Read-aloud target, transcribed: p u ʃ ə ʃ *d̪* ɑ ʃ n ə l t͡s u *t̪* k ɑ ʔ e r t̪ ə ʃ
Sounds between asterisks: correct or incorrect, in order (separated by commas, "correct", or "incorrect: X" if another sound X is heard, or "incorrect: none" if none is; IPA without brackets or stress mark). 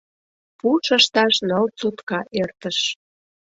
incorrect: t̪, correct